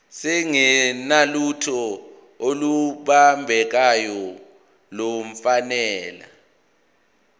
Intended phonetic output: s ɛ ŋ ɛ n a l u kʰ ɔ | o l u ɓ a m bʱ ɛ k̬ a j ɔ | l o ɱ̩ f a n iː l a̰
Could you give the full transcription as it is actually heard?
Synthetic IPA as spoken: s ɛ ŋ ɛ n a l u tʰ ɔ | o l u ɓ a m bʱ ɛ k̬ a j ɔ | l o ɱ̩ f a n ɛː l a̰